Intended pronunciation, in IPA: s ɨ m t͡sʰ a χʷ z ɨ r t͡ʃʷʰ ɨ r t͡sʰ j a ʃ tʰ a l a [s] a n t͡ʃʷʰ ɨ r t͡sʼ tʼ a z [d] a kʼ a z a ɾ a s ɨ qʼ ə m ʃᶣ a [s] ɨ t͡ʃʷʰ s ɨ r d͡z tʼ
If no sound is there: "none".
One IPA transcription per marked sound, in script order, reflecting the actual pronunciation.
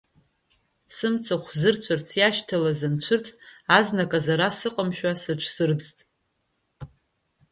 z, n, s

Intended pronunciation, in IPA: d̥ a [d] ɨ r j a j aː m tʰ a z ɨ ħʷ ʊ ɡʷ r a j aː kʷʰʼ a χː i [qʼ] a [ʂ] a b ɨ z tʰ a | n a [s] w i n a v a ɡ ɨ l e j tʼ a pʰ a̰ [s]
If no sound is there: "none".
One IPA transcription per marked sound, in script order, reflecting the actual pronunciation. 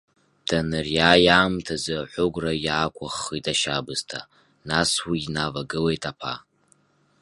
n, tʼ, ʃ, s, none

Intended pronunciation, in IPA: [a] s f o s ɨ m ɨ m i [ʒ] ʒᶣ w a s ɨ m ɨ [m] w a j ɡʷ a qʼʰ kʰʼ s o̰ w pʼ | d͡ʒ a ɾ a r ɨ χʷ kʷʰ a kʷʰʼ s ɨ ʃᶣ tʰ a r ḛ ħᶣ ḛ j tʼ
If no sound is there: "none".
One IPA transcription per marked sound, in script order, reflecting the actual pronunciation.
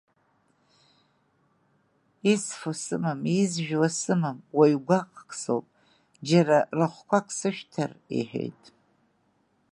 i, z, m

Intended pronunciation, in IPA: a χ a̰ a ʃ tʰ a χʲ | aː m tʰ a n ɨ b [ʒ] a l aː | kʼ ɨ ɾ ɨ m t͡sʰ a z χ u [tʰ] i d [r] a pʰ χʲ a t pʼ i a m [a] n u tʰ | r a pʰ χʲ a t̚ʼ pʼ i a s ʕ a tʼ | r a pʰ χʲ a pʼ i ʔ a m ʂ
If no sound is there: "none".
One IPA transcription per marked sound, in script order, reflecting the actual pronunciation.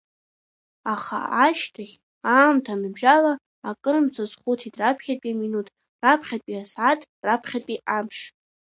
ʒ, tʰ, r, i

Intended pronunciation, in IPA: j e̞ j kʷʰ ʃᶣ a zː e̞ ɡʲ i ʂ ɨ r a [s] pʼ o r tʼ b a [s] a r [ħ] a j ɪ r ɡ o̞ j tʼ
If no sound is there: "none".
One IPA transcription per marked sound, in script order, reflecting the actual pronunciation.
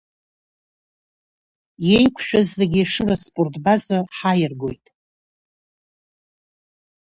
s, z, ħ

